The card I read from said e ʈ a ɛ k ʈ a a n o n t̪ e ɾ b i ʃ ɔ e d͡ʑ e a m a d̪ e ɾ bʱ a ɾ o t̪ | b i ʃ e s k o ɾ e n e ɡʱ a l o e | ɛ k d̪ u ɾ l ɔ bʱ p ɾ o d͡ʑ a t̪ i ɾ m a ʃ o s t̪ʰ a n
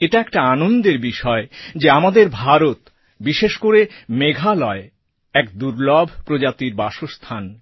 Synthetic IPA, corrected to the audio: e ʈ a ɛ k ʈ a a n o n d̪ e ɾ b i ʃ ɔ e d͡ʑ e a m a d̪ e ɾ bʱ a ɾ o t̪ | b i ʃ e ʃ k o ɾ e m e ɡʱ a l ɔ e | ɛ k d̪ u ɾ l ɔ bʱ p ɾ o d͡ʑ a t̪ i ɾ b a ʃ o s t̪ʰ a n